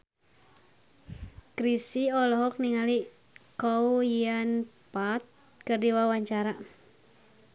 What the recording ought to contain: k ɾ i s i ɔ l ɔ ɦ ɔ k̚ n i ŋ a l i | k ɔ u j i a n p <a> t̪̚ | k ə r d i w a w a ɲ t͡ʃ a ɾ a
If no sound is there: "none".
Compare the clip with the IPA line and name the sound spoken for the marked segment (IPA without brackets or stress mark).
a